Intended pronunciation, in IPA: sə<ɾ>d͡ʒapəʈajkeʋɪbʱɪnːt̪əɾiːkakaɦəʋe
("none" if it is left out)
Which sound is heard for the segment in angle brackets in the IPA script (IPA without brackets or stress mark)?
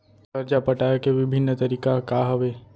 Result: ɾ